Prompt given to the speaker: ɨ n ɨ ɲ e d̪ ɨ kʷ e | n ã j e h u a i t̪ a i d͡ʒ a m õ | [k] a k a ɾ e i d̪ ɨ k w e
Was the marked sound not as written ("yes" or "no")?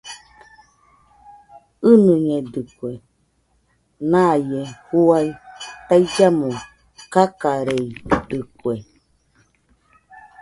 no